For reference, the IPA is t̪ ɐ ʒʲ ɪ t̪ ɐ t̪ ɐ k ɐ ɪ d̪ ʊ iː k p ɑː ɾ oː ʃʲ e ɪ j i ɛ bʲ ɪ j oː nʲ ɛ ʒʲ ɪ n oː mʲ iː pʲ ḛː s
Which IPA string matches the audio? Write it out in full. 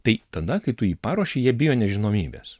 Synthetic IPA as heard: t̪ ɐ ɪ t̪ ɐ d̪ ɐ k ɐ ɪ t̪ ʊ iː p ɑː ɾ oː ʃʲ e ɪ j i ɛ bʲ ɪ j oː nʲ ɛ ʒʲ ɪ n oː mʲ iː bʲ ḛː s